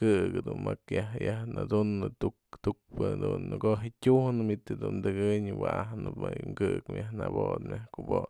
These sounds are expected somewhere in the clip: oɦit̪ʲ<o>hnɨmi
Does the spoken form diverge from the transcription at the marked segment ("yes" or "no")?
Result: yes